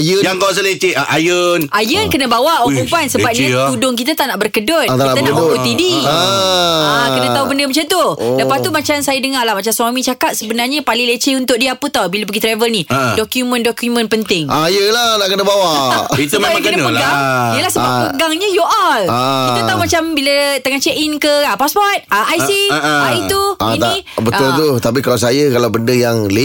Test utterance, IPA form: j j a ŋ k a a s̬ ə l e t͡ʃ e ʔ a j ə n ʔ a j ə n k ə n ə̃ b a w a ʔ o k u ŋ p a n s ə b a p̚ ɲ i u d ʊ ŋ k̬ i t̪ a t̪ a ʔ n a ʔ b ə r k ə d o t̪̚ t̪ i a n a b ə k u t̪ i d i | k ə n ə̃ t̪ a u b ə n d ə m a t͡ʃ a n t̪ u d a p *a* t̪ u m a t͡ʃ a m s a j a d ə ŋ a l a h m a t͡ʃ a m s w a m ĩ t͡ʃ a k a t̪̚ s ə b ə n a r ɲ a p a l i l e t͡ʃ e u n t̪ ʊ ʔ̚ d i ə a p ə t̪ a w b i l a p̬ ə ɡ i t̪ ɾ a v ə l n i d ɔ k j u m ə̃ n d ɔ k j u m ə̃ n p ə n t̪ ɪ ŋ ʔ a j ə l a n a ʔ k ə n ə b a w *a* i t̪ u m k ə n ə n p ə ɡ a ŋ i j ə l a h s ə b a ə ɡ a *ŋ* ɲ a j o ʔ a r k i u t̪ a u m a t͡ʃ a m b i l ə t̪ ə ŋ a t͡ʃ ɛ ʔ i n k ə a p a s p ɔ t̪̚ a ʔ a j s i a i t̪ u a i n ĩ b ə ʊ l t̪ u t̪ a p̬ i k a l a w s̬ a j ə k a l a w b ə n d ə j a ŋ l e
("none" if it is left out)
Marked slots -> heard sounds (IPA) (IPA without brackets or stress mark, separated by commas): a, a, ŋ